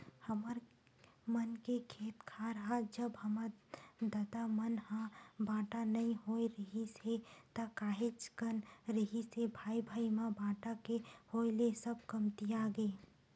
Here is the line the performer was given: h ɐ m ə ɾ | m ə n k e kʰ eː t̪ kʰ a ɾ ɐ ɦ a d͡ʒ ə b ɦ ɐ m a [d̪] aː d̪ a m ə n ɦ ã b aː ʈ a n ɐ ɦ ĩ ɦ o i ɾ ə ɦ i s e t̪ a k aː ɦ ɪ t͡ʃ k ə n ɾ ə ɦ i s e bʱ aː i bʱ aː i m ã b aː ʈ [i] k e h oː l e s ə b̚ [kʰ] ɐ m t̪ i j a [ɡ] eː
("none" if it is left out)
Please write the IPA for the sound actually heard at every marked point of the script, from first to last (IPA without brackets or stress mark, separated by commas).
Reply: d̪, a, k, ɡ